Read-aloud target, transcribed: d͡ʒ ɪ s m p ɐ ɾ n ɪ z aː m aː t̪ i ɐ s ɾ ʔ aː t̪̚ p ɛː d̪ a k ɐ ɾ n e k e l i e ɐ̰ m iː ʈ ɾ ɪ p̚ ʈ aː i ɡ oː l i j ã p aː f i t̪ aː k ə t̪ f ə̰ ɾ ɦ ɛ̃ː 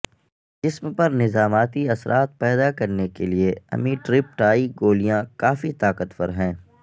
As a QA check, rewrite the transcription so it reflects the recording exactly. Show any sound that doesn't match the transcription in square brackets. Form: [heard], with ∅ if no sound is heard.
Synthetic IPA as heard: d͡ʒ ɪ s m p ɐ ɾ n ɪ z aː m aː t̪ i ɐ s ɾ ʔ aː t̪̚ p ɛː d̪ a k ɐ ɾ n e k e l i e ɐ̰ m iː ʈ ɾ ɪ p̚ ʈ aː i ɡ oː l i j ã [k] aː f i t̪ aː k ə t̪ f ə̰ ɾ ɦ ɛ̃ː